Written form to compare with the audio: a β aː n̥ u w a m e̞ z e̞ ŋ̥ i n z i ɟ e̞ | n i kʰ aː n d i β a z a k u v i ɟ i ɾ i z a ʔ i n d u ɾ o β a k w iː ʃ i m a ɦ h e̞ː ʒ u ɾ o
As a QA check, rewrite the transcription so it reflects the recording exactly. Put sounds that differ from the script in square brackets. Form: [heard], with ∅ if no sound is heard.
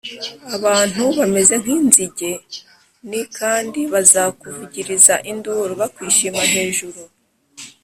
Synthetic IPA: a β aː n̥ u [β] a m e̞ z e̞ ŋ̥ i n z i ɟ e̞ | n i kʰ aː n d i β a z a k u v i ɟ i ɾ i z a ʔ i n d u ɾ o β a k w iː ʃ i m a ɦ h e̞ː ʒ u ɾ [u]